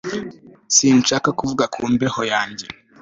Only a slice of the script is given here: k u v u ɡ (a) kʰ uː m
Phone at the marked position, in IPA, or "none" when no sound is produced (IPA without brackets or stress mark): a